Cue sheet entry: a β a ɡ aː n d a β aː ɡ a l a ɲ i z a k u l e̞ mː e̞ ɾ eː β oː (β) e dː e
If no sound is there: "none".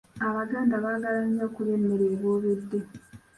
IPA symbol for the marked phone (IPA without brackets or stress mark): β